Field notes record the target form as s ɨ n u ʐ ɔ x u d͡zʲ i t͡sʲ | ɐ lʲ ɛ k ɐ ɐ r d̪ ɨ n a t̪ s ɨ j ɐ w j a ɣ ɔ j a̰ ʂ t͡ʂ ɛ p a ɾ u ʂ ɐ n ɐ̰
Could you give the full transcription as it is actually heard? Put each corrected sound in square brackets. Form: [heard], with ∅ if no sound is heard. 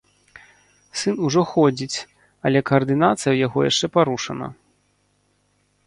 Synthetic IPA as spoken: s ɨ n u ʐ ɔ x [ɔ] d͡zʲ i t͡sʲ | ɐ lʲ ɛ k ɐ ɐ r d̪ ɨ n a t̪ s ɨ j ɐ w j a ɣ ɔ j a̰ ʂ t͡ʂ ɛ p a ɾ u ʂ ɐ n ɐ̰